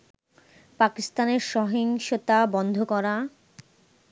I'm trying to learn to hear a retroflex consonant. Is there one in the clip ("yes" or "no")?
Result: no